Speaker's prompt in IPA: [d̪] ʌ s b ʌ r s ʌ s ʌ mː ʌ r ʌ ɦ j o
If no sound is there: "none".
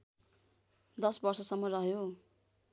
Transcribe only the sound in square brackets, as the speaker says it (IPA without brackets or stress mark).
d̪